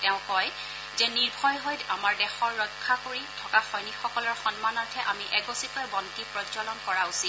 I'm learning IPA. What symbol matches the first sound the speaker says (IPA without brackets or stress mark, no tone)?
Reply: t